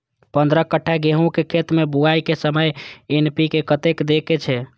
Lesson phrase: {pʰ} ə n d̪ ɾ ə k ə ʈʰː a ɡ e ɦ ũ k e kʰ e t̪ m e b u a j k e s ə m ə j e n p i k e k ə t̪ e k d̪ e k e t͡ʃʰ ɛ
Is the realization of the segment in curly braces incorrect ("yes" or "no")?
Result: yes